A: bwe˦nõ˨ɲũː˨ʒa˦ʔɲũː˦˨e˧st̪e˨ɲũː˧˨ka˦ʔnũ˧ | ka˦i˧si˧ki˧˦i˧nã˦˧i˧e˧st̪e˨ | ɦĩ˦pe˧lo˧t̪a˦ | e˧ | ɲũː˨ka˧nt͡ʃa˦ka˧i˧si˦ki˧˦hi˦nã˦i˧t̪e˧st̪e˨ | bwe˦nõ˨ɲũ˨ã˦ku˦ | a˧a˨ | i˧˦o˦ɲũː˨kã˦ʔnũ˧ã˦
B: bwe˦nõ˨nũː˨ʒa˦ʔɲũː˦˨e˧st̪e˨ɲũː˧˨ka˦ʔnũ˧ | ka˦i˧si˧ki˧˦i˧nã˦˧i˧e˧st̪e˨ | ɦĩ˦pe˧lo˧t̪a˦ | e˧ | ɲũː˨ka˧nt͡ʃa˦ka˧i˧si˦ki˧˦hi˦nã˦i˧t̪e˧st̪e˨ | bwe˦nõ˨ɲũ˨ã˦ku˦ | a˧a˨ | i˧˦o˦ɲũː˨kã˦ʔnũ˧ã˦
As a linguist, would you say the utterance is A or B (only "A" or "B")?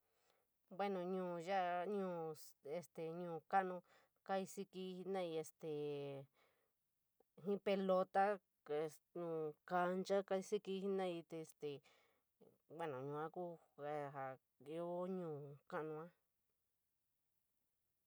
A